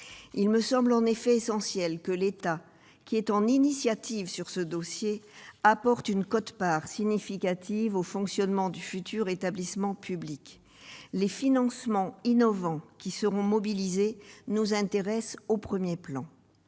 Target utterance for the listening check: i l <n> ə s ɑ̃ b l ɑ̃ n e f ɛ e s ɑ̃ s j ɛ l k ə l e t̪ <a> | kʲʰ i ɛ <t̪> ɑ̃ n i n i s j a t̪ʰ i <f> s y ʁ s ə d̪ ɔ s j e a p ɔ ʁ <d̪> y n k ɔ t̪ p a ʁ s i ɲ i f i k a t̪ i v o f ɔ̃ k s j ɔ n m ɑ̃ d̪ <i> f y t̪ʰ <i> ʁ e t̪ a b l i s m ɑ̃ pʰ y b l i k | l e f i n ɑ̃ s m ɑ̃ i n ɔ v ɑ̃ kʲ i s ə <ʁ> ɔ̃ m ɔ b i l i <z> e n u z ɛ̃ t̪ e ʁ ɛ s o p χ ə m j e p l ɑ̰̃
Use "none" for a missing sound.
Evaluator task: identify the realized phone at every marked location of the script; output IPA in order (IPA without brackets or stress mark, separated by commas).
m, a, t̪, v, t̪, y, y, ʁ, z